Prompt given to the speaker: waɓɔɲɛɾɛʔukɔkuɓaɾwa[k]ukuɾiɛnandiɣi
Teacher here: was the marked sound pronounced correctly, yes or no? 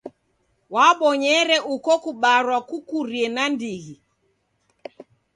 yes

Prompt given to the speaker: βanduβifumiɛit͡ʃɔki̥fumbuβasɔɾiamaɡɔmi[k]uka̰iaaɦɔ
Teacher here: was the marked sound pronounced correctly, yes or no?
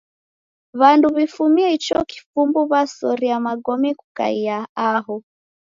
yes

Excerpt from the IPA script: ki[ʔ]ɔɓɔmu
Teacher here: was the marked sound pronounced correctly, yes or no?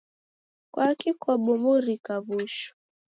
no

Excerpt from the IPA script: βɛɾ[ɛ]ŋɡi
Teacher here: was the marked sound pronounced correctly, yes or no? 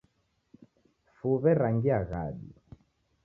no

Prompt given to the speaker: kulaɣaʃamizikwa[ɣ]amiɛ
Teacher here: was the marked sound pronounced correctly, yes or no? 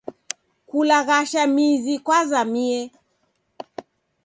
no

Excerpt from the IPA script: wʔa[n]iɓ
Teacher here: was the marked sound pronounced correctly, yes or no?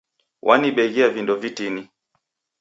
yes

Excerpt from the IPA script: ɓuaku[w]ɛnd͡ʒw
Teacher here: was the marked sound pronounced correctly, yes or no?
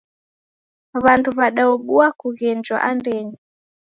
no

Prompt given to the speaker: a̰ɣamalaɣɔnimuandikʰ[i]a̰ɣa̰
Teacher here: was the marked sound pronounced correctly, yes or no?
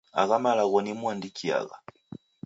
yes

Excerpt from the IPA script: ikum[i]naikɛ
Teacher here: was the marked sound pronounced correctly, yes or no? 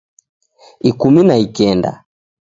yes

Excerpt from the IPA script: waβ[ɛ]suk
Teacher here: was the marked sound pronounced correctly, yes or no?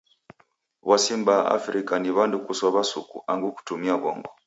no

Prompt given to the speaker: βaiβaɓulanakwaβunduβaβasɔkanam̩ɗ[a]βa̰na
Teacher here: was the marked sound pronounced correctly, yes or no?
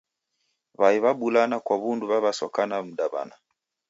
yes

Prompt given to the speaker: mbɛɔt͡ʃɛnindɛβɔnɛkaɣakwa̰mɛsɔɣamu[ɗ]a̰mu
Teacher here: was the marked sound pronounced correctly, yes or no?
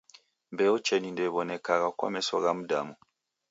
no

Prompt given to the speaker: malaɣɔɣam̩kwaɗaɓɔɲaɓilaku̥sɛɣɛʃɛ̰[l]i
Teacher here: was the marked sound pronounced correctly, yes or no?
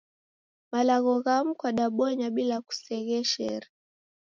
no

